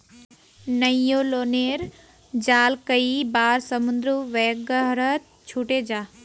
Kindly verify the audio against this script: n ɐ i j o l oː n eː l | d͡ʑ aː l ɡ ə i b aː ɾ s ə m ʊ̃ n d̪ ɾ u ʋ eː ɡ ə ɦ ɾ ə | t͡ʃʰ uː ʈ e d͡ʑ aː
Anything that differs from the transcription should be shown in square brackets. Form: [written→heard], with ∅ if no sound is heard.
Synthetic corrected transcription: n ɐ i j o l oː n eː [l→ɾ] | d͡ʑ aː l [ɡ→k] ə i b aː ɾ s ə m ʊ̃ n d̪ ɾ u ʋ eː ɡ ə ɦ ɾ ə | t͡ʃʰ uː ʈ e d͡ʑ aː